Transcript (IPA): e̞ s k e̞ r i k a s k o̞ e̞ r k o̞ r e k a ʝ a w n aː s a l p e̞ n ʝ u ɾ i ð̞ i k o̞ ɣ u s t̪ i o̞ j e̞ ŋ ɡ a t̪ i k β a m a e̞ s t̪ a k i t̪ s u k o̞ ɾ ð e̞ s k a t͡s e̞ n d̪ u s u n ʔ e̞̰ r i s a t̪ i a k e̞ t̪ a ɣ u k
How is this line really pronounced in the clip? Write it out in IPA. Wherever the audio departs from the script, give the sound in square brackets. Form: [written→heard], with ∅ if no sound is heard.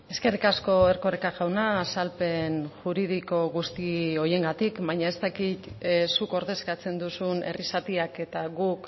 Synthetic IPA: e̞ s k e̞ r i k a s k o̞ e̞ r k o̞ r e k a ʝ a w n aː s a l p e̞ n ʝ u ɾ i ð̞ i k o̞ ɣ u s t̪ i o̞ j e̞ ŋ ɡ a t̪ i k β a [m→ɲ] a e̞ s t̪ a k i t̪ s u k o̞ ɾ ð e̞ s k a t͡s e̞ n d̪ u s u n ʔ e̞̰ r i s a t̪ i a k e̞ t̪ a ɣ u k